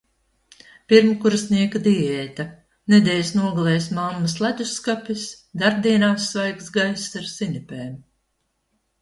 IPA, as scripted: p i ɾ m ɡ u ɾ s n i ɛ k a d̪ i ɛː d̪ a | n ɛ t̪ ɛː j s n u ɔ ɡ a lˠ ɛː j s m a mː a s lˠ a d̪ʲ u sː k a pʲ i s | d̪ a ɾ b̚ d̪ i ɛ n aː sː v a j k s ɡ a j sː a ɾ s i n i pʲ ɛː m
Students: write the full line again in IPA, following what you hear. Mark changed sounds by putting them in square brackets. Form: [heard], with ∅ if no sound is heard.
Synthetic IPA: p i ɾ m [k] u ɾ s n i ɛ k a d̪ i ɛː [t̪] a | n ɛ [d̪] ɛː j s n u ɔ ɡ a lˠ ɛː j s m a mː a s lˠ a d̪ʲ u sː k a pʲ i s | d̪ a ɾ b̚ d̪ i ɛ n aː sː v a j k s ɡ a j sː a ɾ s i n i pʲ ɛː m

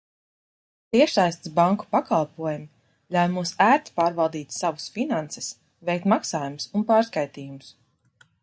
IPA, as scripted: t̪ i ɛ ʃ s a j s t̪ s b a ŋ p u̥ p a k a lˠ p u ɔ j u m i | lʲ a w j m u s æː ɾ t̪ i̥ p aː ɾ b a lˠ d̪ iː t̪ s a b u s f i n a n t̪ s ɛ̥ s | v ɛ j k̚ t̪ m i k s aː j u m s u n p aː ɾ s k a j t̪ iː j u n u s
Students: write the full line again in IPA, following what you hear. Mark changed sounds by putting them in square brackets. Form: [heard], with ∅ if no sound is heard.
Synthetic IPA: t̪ i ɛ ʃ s a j s t̪ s b a ŋ [k] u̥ p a k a lˠ p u ɔ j u m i | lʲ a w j m u s æː ɾ t̪ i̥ p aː ɾ [v] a lˠ d̪ iː t̪ s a [v] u s f i n a n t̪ s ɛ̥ s | v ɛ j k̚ t̪ m [a] k s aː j u m s u n p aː ɾ s k a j t̪ iː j u [m] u s

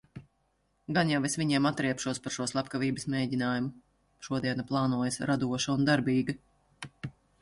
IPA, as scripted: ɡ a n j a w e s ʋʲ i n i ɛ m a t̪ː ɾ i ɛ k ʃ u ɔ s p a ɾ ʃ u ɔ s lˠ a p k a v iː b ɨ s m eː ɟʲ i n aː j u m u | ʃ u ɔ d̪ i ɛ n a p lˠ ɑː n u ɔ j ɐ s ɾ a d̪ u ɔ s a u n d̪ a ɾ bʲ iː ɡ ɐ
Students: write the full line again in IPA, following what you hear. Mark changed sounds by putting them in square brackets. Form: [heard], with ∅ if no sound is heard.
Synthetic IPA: ɡ a n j a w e s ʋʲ i [ɲ] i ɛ m a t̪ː ɾ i ɛ [p] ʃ u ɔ s p a ɾ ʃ u ɔ s lˠ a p k a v iː b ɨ s m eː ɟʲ i n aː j u m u | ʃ u ɔ d̪ i ɛ n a p lˠ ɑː n u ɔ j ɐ s ɾ a d̪ u ɔ [ʃ] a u n d̪ a ɾ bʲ iː ɡ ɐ

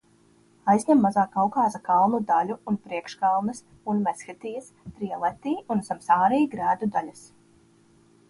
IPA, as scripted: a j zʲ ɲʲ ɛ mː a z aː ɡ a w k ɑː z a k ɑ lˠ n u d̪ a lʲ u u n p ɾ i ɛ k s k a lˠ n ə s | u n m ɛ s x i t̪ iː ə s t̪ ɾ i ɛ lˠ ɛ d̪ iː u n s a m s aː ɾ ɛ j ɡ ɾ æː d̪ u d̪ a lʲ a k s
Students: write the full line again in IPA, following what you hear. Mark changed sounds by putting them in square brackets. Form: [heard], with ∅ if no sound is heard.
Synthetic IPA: a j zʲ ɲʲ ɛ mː a z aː [k] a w k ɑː z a k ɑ lˠ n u d̪ a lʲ u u n p ɾ i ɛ k [ʃ] k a lˠ n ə s | u n m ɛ s x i t̪ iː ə s t̪ ɾ i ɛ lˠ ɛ [t̪] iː u n s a m s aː ɾ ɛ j ɡ ɾ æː d̪ u d̪ a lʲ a [∅] s

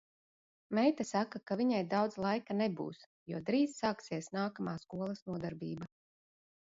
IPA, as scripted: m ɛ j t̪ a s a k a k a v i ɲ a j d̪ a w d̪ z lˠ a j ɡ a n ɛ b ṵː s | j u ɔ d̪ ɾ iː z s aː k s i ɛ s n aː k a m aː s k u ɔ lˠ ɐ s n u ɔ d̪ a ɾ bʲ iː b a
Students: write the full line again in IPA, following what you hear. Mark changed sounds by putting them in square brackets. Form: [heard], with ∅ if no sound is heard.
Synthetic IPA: m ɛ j t̪ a s a k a k a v i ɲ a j d̪ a w d̪ z lˠ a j [k] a n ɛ b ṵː s | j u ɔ d̪ ɾ iː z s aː k s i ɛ s n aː k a m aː s k u ɔ lˠ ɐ s n u ɔ d̪ a ɾ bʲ iː b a

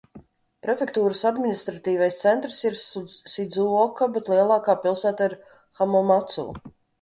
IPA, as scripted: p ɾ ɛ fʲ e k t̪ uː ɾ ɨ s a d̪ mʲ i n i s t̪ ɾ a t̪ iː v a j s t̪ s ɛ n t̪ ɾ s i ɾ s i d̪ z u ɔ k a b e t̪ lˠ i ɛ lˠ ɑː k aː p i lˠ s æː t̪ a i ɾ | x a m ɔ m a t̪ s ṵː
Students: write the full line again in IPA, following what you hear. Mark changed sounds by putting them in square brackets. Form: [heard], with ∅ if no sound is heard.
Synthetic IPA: p ɾ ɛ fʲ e k t̪ uː ɾ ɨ s a d̪ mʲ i n i s t̪ ɾ a t̪ iː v a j s t̪ s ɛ n t̪ ɾ s i ɾ s i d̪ z u ɔ k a b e t̪ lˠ i ɛ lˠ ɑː k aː p i lˠ s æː t̪ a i ɾ | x a m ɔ m a t̪ s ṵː

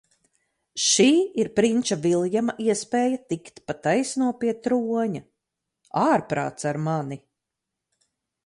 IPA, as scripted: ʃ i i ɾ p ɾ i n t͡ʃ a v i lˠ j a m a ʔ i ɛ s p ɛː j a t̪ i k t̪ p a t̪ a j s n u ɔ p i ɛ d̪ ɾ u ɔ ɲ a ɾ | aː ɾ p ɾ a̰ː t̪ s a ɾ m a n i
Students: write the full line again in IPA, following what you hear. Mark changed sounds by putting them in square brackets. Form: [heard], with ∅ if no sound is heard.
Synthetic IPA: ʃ [iː] i ɾ p ɾ i n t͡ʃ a v i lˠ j a m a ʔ i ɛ s p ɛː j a t̪ i k t̪ p a t̪ a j s n u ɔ p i ɛ [t̪] ɾ u ɔ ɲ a [∅] | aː ɾ p ɾ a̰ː t̪ s a ɾ m a n i

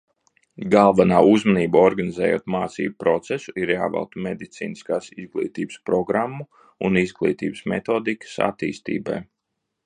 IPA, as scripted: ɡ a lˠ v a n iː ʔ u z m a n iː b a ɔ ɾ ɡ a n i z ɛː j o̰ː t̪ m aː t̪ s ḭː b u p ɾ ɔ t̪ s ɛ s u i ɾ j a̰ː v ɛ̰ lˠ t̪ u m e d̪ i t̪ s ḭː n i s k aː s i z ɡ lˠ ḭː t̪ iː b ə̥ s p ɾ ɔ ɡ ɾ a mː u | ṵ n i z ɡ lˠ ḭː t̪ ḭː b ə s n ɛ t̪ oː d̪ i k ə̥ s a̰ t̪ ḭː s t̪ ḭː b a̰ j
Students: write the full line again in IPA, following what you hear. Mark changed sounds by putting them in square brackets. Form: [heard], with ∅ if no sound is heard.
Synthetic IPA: ɡ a lˠ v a n [aː] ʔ u z m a n iː b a ɔ ɾ ɡ a n i z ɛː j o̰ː t̪ m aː t̪ s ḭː b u p ɾ ɔ t̪ s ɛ s u i ɾ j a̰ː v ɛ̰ lˠ t̪ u m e d̪ i t̪ s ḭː n i s k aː s i z ɡ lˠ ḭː t̪ iː b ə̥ s p ɾ ɔ ɡ ɾ a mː u | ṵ n i z ɡ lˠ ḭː t̪ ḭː b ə s [m] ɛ t̪ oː d̪ i k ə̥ s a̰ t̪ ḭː s t̪ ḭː b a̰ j

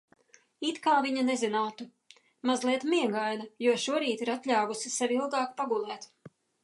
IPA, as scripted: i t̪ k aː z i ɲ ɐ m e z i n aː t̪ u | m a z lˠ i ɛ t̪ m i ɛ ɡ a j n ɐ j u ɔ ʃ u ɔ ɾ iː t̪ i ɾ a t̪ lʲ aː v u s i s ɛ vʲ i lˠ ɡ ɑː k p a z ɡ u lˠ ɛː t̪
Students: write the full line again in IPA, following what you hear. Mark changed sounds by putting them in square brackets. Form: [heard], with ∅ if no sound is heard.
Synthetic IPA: i t̪ k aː [v] i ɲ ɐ [n] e z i n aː t̪ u | m a z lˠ i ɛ t̪ m i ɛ ɡ a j n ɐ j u ɔ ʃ u ɔ ɾ iː t̪ i ɾ a t̪ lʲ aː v u s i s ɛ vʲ i lˠ ɡ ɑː k p a [∅] ɡ u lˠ ɛː t̪

